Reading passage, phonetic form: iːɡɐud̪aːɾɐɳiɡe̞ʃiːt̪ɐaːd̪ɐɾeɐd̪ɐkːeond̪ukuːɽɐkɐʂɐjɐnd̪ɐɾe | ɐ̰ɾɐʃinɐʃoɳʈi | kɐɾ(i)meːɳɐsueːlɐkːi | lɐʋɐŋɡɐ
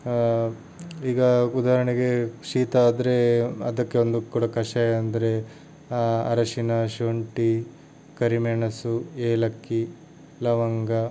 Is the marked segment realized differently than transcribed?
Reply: no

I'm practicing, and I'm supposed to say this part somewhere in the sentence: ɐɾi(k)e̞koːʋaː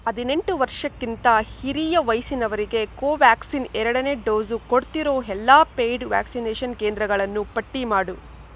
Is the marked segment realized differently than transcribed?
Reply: yes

